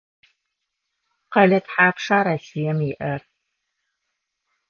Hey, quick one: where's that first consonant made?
uvula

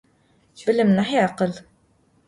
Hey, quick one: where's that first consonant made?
lips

